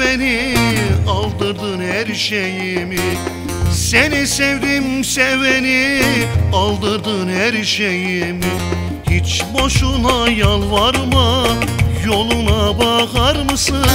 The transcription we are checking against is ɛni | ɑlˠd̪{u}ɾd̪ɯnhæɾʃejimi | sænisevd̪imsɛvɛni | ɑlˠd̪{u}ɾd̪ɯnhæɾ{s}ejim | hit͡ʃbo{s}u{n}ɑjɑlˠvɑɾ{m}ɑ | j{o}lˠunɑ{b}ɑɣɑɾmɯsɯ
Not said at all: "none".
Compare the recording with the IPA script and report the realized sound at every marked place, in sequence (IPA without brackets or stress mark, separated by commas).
ɯ, ɯ, ʃ, ʃ, n, m, o, b